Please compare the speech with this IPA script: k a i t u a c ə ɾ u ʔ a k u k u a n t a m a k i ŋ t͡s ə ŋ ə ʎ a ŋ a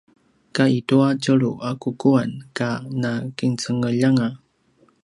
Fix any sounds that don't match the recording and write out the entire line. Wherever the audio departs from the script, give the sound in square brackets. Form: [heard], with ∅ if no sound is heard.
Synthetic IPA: k a i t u a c ə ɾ u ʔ a k u k u a n [k] a [n] a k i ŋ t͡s ə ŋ ə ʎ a ŋ a